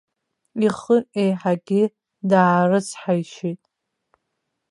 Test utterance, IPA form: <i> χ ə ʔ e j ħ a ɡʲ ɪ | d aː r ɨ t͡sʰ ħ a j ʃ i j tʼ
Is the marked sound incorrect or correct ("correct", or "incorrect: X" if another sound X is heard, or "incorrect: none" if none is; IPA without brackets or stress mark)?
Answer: correct